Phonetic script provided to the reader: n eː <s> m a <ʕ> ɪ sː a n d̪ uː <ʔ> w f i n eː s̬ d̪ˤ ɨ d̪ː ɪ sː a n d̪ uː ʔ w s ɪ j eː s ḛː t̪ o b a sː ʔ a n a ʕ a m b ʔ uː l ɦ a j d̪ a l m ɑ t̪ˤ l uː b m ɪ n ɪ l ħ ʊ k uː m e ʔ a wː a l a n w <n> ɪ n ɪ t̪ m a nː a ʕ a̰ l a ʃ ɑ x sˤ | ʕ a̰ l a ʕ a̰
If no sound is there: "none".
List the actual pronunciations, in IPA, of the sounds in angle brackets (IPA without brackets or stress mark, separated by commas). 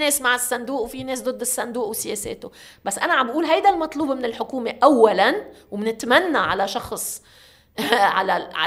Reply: s, ʕ, ʔ, m